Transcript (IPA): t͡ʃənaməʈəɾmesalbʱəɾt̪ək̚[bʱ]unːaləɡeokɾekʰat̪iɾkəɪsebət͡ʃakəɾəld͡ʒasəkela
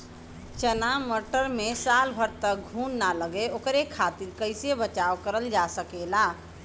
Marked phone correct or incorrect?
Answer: incorrect